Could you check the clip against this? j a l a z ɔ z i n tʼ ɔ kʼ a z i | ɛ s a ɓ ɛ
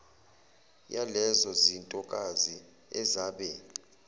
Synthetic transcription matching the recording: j a l ɛ z ɔ z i n tʼ ɔ kʼ a z i | ɛ z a ɓ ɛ